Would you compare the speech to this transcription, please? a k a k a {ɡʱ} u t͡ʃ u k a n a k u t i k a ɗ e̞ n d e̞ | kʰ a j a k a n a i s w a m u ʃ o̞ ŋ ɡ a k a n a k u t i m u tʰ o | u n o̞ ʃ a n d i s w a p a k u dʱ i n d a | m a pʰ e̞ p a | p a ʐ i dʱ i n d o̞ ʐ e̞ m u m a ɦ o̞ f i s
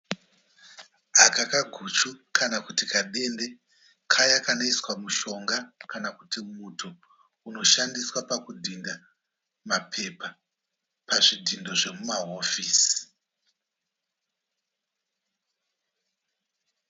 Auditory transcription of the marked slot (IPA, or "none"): ɡʱ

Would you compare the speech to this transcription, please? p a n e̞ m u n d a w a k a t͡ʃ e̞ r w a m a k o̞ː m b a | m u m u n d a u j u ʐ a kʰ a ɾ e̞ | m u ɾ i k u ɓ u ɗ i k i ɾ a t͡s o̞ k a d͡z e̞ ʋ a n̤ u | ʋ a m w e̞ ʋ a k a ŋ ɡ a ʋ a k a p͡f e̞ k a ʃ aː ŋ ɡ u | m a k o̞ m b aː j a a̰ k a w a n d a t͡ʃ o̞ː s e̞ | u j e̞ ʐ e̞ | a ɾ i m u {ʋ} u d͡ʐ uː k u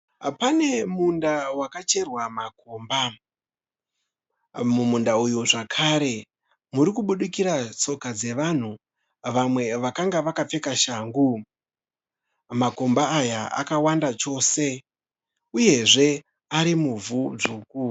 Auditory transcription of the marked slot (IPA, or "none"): v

